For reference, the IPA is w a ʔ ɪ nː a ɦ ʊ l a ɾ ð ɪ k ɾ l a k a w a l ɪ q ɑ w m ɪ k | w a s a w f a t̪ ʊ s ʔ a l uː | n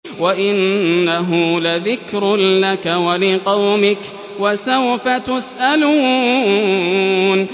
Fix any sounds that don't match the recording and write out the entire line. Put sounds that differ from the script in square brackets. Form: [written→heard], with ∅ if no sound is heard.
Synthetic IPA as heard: w a ʔ ɪ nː a ɦ ʊ l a [ɾ→∅] ð ɪ k ɾ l a k a w a l ɪ q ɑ w m ɪ k | w a s a w f a t̪ ʊ s ʔ a l uː | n